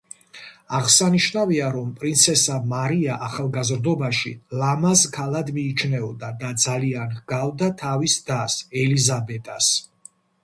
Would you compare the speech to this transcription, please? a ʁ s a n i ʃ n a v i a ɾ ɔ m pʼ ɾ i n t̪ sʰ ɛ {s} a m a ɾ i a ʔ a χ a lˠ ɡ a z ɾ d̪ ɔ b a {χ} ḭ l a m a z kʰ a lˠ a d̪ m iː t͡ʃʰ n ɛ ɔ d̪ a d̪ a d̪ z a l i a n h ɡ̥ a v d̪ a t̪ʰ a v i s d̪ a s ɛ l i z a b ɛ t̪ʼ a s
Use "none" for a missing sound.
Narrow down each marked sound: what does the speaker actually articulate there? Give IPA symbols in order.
s, ʃ

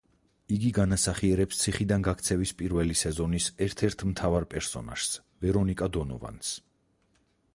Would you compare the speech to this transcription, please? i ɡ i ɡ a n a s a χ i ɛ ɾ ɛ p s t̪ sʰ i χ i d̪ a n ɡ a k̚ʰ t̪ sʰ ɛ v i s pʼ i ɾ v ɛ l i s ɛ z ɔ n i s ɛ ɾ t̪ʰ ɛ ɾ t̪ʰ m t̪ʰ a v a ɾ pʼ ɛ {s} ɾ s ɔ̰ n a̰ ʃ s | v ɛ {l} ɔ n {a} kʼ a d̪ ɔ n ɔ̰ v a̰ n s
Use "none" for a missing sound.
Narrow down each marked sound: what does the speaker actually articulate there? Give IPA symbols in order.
none, ɾ, i

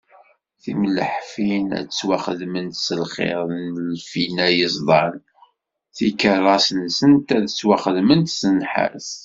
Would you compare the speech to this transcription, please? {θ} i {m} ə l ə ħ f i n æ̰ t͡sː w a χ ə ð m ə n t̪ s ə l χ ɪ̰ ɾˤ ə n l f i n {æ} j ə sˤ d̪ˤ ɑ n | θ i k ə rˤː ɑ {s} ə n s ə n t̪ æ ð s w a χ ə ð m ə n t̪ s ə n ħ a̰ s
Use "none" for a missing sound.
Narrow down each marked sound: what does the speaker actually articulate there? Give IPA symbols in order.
θ, m, æ, s

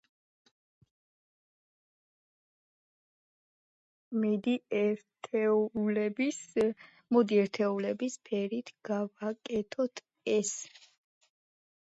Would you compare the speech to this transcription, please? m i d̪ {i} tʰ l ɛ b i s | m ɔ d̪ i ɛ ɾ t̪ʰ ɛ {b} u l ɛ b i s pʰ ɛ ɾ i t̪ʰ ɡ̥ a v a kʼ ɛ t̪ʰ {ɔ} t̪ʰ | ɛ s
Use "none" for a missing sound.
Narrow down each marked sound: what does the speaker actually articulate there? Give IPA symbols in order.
i, none, ɔ

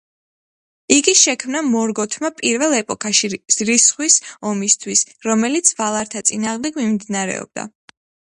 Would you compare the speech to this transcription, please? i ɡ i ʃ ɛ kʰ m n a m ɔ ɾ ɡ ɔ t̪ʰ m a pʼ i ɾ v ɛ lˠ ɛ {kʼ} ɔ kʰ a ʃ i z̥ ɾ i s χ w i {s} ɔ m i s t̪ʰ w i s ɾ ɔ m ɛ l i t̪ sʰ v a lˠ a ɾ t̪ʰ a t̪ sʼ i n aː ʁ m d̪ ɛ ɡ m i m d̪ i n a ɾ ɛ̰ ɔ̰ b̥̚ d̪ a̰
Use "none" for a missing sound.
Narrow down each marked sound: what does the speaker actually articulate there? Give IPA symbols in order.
pʼ, s

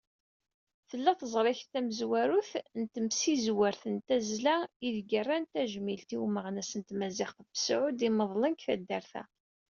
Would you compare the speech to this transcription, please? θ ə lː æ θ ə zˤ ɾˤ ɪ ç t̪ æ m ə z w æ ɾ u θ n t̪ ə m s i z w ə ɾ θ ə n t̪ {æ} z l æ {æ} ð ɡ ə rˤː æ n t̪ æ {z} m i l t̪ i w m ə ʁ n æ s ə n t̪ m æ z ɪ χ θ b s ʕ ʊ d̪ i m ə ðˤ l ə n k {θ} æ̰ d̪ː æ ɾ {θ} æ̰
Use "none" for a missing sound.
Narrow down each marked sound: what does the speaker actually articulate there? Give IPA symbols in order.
æ, i, ʒ, θ, θ

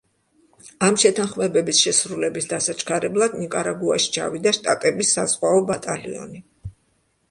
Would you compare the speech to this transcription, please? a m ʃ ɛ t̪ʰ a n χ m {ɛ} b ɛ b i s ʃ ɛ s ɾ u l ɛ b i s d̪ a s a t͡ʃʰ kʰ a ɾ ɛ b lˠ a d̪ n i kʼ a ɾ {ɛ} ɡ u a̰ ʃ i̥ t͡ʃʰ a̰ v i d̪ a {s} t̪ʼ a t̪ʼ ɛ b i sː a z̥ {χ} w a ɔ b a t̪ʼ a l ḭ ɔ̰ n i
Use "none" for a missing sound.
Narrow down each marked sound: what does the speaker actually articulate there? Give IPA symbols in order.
ɛ, a, ʃ, ʁ

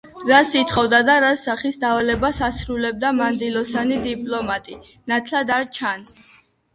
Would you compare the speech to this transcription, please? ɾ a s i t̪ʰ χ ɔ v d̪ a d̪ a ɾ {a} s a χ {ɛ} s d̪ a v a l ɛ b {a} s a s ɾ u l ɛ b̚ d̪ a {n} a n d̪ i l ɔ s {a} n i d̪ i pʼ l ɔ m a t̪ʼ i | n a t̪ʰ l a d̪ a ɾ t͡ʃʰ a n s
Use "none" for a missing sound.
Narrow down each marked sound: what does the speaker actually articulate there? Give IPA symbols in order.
a, i, a, m, a

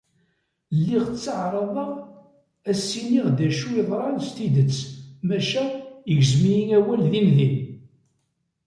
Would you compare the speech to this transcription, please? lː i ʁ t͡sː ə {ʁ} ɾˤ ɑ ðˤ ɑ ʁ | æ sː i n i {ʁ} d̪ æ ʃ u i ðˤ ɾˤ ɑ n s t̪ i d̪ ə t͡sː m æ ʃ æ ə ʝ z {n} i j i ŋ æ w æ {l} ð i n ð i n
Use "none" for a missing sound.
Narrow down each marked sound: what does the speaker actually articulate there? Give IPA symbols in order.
ʕ, ʁ, m, l

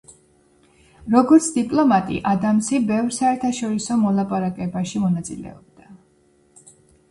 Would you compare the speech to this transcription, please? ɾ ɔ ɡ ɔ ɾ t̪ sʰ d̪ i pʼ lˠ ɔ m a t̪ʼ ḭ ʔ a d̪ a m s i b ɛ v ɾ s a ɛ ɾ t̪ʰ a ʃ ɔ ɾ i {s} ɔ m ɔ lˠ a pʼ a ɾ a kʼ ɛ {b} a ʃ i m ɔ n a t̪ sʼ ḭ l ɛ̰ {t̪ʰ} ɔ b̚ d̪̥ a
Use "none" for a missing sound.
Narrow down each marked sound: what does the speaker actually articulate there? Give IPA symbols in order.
s, b, none

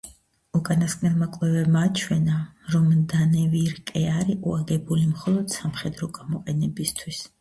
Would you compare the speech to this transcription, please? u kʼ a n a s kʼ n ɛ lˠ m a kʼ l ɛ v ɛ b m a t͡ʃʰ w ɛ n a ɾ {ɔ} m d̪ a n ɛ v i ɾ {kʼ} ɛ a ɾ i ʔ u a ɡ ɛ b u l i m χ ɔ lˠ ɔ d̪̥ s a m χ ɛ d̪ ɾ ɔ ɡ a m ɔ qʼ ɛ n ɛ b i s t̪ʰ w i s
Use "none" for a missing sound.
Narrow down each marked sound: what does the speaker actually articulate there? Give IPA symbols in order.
ɔ, kʼ

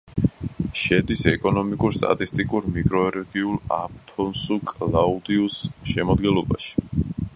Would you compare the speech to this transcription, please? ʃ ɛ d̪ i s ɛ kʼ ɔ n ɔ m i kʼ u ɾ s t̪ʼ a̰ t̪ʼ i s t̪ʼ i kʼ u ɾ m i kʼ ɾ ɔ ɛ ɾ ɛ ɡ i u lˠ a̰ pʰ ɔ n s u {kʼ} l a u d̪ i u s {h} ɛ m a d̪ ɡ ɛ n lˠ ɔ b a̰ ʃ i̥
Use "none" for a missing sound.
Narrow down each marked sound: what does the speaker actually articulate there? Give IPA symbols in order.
kʼ, ʃ

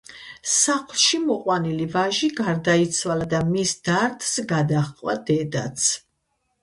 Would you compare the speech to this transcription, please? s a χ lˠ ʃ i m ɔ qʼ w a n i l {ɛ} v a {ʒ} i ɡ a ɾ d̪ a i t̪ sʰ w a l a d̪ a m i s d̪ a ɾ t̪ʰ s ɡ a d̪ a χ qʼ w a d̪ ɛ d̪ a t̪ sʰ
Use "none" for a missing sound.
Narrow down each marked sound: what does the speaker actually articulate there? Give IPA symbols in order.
i, ʒ

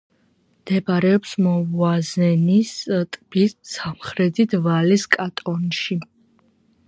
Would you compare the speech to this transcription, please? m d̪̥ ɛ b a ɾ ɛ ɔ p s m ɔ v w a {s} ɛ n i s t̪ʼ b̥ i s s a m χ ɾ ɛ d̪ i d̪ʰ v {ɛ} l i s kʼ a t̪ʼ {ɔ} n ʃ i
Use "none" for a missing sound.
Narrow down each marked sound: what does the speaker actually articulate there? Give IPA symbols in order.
z, a, ɔ

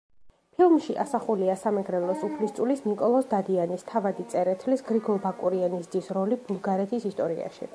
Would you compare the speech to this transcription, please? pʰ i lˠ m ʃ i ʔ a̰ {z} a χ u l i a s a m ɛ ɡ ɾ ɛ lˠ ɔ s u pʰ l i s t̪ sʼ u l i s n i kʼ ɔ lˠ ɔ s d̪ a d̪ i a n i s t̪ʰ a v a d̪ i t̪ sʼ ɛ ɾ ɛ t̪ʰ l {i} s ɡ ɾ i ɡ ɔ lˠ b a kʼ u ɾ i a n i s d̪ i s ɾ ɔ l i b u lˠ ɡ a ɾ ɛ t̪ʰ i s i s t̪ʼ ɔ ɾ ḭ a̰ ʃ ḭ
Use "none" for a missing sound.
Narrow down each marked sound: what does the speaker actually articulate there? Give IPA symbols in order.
s, i

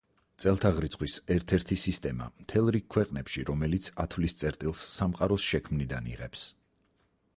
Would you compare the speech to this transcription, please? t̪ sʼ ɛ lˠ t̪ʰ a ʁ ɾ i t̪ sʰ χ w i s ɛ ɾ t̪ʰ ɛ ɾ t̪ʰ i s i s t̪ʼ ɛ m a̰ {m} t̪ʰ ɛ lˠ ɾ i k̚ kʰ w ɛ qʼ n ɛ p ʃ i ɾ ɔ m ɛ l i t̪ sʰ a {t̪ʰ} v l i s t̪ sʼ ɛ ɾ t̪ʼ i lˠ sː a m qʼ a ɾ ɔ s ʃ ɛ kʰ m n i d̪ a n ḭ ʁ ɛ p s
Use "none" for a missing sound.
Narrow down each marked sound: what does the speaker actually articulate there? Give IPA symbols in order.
m, t̪ʰ

